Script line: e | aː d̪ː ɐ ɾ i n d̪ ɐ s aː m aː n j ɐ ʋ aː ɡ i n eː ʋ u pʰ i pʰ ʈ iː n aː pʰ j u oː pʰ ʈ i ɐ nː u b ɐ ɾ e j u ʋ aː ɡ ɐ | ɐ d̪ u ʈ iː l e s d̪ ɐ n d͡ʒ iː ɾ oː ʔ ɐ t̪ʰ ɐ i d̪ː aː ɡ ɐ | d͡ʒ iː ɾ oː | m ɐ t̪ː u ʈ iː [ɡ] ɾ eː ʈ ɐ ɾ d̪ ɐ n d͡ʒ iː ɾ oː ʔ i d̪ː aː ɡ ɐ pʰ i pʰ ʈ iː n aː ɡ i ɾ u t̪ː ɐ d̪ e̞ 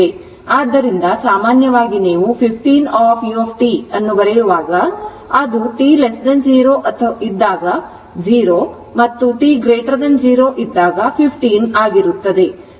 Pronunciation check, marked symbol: correct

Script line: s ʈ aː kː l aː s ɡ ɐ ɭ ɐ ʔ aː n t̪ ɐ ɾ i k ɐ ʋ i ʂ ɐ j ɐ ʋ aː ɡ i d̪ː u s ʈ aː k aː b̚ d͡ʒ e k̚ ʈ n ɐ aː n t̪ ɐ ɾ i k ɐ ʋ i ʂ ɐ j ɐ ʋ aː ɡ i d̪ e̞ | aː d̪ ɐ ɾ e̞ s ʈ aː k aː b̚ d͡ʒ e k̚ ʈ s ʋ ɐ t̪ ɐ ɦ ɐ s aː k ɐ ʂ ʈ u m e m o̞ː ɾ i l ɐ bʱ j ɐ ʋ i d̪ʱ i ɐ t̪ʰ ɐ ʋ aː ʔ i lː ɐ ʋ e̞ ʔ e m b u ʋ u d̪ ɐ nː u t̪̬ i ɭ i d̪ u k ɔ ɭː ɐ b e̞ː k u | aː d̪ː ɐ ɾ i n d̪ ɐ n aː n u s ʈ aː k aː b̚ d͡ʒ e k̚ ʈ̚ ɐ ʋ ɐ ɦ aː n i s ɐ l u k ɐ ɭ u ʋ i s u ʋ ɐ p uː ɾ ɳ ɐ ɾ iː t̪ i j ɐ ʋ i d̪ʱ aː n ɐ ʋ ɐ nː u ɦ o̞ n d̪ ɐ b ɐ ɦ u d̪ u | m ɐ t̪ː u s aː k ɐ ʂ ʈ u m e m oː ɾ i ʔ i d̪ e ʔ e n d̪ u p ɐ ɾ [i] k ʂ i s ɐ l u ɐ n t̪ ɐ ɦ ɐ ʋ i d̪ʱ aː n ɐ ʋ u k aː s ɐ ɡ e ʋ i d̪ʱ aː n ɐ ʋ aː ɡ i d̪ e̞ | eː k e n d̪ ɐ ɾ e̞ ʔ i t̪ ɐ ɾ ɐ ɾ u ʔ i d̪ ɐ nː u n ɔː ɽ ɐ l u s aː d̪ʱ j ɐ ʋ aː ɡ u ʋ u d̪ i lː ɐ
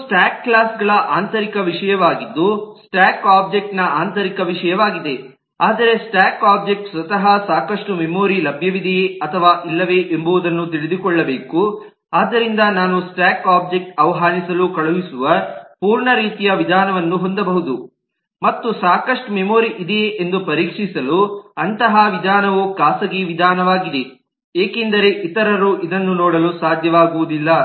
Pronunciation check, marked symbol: incorrect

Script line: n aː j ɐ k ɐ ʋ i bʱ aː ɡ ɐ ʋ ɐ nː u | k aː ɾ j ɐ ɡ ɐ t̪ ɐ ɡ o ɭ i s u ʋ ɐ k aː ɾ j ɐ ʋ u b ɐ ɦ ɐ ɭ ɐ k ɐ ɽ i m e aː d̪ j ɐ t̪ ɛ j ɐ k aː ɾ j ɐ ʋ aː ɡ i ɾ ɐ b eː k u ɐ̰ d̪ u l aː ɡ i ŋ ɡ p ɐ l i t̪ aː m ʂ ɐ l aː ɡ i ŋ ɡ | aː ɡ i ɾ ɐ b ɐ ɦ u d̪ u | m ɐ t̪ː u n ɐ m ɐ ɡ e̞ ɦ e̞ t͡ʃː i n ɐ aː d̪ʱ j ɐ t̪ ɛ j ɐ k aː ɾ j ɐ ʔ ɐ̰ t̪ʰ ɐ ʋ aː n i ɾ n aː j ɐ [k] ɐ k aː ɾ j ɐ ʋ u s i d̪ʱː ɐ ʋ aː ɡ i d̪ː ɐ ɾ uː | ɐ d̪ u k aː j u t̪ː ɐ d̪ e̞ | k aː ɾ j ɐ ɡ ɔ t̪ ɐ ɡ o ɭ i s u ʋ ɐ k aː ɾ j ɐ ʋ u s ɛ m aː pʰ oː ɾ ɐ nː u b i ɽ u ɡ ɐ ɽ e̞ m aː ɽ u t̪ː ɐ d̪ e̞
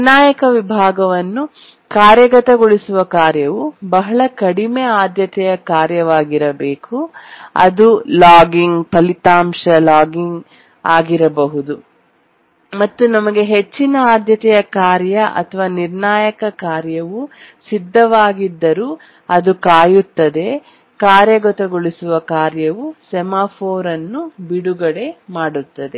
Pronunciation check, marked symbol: correct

